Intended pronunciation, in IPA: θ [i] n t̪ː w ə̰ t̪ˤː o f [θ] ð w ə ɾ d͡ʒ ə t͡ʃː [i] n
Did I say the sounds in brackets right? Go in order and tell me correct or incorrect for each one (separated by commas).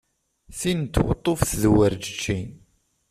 correct, correct, correct